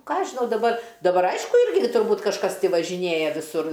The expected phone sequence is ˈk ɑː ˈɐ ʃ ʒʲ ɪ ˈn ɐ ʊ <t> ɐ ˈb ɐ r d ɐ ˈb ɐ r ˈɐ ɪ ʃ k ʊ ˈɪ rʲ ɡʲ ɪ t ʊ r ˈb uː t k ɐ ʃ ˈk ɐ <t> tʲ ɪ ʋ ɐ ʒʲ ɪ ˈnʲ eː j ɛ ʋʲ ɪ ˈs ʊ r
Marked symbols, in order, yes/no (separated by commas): no, no